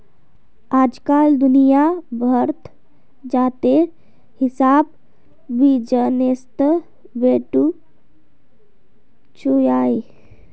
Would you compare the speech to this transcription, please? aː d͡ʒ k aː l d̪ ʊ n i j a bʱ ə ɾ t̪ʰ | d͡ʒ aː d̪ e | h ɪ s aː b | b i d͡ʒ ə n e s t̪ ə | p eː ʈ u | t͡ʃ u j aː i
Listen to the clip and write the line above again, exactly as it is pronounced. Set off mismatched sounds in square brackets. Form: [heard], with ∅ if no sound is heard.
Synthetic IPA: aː d͡ʒ k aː l d̪ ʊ n i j a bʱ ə ɾ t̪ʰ | d͡ʒ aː [t̪] e | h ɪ s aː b | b i d͡ʒ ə n e s t̪ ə | [b] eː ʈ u | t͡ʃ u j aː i